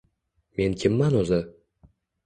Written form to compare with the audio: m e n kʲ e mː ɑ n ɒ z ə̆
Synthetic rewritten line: m e n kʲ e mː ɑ n o z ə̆